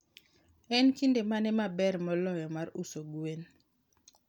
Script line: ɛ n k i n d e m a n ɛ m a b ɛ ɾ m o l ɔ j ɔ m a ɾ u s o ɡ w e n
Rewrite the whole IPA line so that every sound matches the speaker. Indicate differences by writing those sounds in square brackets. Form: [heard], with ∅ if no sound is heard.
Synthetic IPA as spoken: ɛ n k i n d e m a n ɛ m a b ɛ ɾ m [ɔ] l ɔ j ɔ m a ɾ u s o ɡ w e n